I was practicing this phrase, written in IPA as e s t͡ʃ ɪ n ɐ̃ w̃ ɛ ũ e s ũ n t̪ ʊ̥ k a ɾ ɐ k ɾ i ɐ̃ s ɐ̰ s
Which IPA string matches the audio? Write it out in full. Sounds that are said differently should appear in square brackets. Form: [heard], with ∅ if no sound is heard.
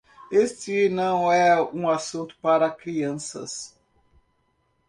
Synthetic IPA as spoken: e s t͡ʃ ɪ n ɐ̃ w̃ ɛ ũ [a] s ũ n t̪ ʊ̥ [p] a ɾ ɐ k ɾ i ɐ̃ s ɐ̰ s